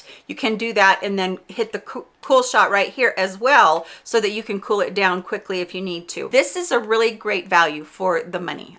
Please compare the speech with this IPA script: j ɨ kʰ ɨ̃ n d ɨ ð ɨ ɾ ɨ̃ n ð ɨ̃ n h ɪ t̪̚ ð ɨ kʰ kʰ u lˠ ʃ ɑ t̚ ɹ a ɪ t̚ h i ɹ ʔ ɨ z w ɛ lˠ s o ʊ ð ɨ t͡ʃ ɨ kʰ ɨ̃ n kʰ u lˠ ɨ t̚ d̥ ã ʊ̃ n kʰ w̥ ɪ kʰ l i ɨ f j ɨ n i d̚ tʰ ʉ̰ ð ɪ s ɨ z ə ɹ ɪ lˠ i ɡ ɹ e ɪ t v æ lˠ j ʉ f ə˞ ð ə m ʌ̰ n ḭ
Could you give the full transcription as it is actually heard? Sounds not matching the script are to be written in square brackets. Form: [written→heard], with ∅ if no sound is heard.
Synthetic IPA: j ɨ kʰ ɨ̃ n d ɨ ð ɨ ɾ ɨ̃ n ð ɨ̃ n h ɪ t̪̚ ð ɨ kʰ kʰ u lˠ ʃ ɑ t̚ ɹ a ɪ t̚ h i ɹ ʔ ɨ z w ɛ lˠ s o ʊ ð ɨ t͡ʃ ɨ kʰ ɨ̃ n kʰ u lˠ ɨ t̚ d̥ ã ʊ̃ n kʰ w̥ ɪ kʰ l i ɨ f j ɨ n i d̚ tʰ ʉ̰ ð ɪ s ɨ z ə ɹ ɪ lˠ i ɡ ɹ e ɪ t v æ lˠ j ʉ f ə˞ ð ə m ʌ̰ n ḭ